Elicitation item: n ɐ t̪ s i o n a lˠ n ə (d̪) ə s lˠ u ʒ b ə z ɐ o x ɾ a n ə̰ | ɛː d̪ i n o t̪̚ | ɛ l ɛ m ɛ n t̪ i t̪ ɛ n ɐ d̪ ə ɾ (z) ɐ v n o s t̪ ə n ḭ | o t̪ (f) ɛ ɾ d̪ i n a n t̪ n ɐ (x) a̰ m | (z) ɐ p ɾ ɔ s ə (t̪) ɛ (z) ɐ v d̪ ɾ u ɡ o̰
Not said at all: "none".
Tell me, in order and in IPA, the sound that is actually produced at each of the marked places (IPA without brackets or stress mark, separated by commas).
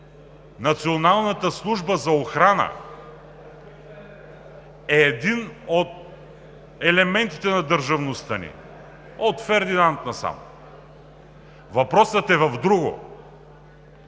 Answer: t̪, ʒ, f, s, v, t̪, v